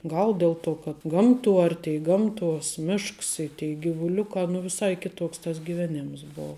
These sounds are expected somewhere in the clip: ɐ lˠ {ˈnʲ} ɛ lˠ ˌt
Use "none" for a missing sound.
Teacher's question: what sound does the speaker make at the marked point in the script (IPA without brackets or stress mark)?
dʲ